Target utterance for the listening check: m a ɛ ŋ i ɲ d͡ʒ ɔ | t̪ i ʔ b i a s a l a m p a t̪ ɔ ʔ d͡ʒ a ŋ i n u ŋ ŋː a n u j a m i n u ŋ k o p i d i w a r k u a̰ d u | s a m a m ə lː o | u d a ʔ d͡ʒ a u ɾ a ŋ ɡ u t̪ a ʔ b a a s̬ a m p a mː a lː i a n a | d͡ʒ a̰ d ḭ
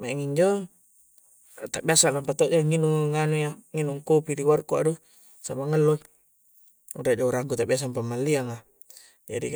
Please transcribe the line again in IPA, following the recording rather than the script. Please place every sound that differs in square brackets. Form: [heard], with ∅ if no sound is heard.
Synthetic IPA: m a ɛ ŋ i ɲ d͡ʒ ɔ | t̪ [a] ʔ b i a s a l a m p a t̪ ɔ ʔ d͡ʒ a ŋ i n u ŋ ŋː a n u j a [ŋ] i n u ŋ k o p i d i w a r k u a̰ d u | s a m a [ŋ] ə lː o | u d a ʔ d͡ʒ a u ɾ a ŋ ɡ u t̪ a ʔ b [i] a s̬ a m p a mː a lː i a [ŋ] a | d͡ʒ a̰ d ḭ

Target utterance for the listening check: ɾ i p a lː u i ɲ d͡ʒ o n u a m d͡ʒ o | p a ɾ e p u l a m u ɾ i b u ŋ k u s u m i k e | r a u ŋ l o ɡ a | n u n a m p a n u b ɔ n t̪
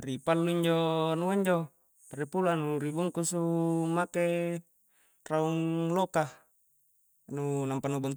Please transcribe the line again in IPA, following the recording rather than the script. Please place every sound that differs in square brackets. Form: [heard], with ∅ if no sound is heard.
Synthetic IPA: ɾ i p a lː u i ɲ d͡ʒ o n u a [ɲ] d͡ʒ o | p a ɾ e p u l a [n] u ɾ i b u ŋ k u s u m [a] k e | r a u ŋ l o [k] a | n u n a m p a n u b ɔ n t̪

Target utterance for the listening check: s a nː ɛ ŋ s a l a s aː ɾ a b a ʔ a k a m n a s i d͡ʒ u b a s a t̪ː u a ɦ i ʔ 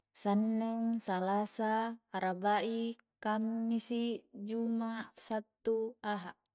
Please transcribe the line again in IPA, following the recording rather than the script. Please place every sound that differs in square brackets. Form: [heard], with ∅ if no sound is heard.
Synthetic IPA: s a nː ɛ ŋ s a l a s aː ɾ a b a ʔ [i] k a m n [i] s i d͡ʒ u [m] a s a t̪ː u a ɦ [a] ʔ

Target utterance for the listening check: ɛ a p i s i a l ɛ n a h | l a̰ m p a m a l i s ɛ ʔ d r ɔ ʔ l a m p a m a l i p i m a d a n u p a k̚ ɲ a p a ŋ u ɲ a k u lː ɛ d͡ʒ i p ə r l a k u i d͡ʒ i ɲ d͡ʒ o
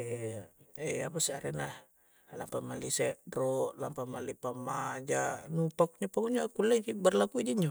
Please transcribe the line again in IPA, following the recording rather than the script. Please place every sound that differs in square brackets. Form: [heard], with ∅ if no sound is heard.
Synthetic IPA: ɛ a p [a] s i a [ɾ] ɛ n a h | l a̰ m p a m a l i s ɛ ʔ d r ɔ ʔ l a m p a m a l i p [a] m a [d͡ʒ] a n u p a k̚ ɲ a p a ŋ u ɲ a k u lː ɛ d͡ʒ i [b] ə r l a k u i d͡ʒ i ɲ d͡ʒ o

